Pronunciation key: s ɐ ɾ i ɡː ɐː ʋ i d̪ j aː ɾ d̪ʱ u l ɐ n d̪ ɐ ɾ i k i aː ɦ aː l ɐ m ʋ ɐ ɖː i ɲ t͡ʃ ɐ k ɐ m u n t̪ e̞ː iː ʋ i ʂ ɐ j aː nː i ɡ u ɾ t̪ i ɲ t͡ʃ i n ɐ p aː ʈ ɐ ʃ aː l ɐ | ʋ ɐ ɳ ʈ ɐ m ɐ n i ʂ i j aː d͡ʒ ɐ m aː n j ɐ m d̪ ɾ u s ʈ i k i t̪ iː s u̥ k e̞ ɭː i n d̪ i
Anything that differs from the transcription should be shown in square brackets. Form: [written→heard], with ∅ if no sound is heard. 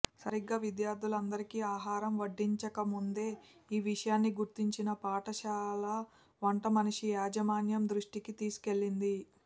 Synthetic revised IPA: s ɐ ɾ i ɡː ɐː ʋ i d̪ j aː ɾ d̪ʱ u l ɐ n d̪ ɐ ɾ i k i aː ɦ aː [l→ɾ] ɐ m ʋ ɐ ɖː i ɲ t͡ʃ ɐ k ɐ m u n [t̪→d̪] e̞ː iː ʋ i ʂ ɐ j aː nː i ɡ u ɾ t̪ i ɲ t͡ʃ i n ɐ p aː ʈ ɐ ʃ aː l ɐ | ʋ ɐ ɳ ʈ ɐ m ɐ n i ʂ i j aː d͡ʒ ɐ m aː n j ɐ m d̪ ɾ u [s→ʂ] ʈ i k i t̪ iː s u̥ k e̞ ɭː i n d̪ i